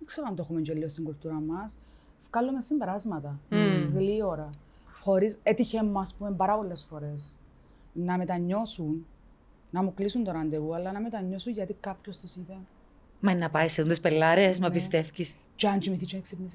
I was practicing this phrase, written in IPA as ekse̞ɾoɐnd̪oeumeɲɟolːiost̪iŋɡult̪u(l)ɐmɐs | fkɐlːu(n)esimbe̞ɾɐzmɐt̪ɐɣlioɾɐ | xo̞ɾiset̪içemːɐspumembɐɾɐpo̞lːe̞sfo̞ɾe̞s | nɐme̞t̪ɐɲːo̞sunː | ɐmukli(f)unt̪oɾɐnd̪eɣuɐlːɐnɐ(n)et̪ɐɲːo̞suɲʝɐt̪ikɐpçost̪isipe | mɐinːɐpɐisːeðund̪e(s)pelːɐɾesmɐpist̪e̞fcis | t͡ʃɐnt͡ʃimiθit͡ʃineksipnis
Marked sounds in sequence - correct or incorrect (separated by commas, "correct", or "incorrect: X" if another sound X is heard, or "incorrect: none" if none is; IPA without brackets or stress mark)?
incorrect: ɾ, incorrect: m, incorrect: s, incorrect: m, correct